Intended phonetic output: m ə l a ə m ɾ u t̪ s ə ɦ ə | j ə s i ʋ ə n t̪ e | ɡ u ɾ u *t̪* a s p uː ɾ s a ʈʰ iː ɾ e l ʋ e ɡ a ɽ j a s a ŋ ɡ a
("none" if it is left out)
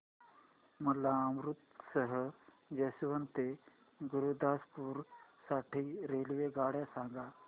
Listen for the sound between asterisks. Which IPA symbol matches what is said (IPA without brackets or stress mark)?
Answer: d̪